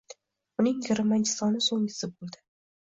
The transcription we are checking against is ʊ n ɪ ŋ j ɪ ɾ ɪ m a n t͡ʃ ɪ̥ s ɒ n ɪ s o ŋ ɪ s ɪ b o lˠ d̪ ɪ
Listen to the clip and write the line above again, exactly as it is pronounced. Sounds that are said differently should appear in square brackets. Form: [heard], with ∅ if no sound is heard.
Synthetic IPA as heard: ʊ n ɪ ŋ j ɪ ɾ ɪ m a n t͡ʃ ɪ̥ s ɒ n ɪ s o ŋ ɪ s ɪ b o lˠ d̪ ɪ